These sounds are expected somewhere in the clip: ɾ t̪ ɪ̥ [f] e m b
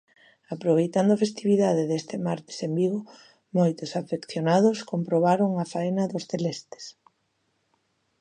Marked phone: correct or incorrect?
incorrect